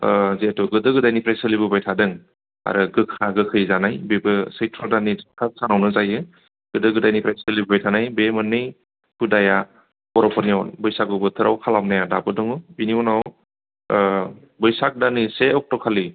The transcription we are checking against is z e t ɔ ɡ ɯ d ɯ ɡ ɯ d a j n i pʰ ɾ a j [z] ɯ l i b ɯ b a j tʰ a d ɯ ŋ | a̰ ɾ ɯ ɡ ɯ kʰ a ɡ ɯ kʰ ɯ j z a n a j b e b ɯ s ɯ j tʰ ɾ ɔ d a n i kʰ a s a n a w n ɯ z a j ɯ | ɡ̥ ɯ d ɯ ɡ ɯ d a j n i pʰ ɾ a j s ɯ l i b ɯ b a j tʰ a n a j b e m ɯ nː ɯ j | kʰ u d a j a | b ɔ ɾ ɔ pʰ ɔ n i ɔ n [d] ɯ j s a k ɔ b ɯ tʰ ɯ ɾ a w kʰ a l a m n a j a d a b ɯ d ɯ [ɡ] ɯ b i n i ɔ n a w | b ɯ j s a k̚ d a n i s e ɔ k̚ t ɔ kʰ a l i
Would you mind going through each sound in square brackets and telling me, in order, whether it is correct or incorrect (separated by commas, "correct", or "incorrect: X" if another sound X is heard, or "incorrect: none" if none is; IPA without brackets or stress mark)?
incorrect: s, incorrect: b, incorrect: ŋ